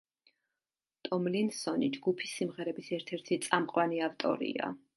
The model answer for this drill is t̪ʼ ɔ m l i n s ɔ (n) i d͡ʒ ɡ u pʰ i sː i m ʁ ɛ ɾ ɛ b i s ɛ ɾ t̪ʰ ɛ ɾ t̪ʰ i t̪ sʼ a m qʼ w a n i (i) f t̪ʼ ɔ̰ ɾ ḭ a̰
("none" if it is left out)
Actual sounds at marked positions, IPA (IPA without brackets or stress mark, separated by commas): n, a